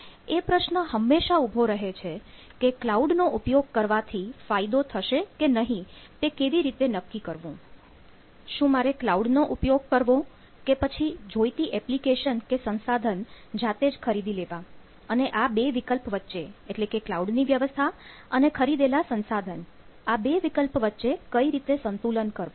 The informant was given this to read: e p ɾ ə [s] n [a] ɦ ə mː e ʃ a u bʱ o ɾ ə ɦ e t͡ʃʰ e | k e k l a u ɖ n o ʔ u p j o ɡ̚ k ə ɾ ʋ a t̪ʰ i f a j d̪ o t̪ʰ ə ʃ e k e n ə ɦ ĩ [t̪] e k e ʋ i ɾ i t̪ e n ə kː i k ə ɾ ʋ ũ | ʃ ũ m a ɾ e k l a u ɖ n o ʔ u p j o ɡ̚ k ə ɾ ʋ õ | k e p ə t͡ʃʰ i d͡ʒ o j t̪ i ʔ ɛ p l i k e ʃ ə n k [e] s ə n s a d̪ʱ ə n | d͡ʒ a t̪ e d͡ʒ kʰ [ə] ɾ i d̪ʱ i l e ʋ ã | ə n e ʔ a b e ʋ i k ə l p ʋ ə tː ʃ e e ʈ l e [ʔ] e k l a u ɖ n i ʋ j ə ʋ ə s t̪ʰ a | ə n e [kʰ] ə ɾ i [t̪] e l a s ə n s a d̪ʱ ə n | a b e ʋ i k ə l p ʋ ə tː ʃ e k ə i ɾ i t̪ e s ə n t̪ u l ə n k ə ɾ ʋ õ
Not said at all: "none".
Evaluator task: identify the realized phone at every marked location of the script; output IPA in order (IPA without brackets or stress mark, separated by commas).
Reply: ʃ, ə, t̪, e, ə, k, kʰ, d̪